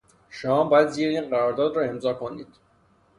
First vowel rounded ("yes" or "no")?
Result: yes